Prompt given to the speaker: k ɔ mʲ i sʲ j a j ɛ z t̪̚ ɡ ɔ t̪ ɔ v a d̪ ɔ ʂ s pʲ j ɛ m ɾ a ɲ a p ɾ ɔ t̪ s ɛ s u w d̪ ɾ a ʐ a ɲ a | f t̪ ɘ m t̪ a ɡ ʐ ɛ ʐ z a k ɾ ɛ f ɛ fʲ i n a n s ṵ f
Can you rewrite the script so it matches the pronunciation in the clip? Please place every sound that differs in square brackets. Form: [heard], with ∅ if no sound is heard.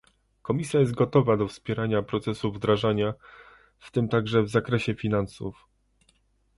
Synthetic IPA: k ɔ mʲ i sʲ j a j ɛ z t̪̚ ɡ ɔ t̪ ɔ v a d̪ ɔ [f] s pʲ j ɛ [∅] ɾ a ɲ a p ɾ ɔ t̪ s ɛ s u [v] d̪ ɾ a ʐ a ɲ a | f t̪ ɘ m t̪ a ɡ ʐ ɛ [v] z a k ɾ ɛ [ɕ] ɛ fʲ i n a n s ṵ f